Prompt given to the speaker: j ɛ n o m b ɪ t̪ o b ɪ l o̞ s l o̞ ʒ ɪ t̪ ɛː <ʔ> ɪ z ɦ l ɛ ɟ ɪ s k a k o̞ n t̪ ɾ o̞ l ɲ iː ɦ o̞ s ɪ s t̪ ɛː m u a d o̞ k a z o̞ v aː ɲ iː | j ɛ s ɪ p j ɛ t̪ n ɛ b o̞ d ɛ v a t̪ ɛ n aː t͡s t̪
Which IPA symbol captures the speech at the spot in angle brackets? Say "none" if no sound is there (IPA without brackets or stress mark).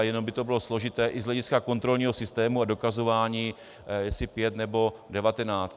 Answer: ʔ